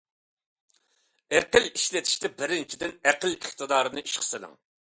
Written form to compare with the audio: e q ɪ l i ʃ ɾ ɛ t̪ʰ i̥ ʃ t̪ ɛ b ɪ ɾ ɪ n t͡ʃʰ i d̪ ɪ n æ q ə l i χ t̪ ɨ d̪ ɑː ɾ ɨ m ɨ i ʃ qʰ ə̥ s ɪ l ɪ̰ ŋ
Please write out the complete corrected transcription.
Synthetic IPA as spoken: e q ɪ l i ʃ l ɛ t̪ʰ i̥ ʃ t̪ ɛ b ɪ ɾ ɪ n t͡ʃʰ i d̪ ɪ n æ q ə l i χ t̪ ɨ d̪ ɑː ɾ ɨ n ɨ i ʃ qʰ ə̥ s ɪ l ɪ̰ ŋ